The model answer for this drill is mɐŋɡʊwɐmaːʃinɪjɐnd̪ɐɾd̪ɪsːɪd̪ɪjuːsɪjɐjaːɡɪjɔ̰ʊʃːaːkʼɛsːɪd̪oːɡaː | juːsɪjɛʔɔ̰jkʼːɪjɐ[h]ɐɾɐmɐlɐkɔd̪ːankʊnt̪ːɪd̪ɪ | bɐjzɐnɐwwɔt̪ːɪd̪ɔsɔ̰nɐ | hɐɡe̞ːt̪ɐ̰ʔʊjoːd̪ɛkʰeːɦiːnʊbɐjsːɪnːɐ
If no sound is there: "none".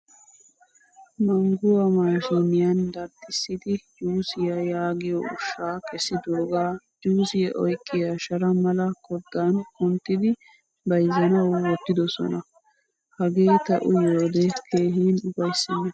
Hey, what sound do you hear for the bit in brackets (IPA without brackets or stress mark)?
ʃ